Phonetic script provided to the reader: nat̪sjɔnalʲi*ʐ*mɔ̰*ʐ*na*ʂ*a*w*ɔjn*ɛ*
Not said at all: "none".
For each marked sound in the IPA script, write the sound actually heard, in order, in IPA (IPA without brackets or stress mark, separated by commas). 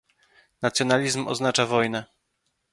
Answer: z, z, t͡ʂ, v, ɛ